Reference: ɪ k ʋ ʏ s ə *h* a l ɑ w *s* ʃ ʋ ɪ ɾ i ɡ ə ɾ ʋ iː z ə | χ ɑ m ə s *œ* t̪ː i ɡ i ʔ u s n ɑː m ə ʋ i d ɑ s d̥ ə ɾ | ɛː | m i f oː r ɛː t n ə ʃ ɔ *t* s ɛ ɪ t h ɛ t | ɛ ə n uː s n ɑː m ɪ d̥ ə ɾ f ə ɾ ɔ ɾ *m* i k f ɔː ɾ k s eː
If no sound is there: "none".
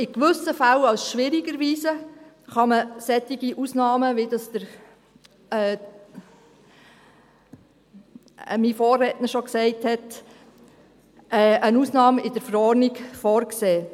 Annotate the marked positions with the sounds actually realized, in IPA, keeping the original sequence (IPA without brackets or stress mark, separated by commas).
f, s, ɛ, k, n